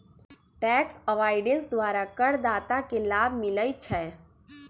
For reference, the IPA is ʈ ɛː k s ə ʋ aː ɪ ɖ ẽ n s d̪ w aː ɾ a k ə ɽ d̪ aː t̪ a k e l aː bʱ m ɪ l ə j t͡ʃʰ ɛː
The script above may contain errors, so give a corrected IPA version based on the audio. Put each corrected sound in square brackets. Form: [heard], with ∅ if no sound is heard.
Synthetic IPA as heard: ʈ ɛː k s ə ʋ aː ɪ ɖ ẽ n s d̪ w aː ɾ a k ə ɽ d̪ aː t̪ a k e l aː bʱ m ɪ l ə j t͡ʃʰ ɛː